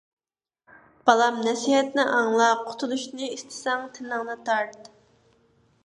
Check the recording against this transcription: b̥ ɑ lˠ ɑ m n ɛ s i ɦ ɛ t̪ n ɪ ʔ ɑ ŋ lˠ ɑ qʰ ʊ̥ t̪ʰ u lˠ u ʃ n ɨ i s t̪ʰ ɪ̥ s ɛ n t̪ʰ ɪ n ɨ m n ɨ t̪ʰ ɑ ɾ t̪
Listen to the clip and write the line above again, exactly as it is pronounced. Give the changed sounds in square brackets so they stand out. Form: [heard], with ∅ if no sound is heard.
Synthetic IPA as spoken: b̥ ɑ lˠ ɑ m n ɛ s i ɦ ɛ t̪ n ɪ ʔ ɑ ŋ lˠ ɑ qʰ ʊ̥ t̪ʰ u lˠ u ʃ n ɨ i s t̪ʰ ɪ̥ s ɛ [ŋ] t̪ʰ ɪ n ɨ [ŋ] n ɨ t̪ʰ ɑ ɾ t̪